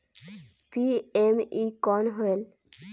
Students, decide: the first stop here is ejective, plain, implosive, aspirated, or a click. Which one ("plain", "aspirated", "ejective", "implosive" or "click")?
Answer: plain